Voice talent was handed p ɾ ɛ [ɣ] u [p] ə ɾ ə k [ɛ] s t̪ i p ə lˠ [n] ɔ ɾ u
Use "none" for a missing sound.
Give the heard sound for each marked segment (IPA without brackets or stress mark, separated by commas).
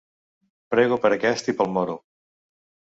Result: ɣ, p, ɛ, m